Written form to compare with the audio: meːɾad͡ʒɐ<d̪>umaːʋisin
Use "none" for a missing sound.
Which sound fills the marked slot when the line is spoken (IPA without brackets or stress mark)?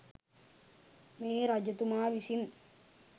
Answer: t̪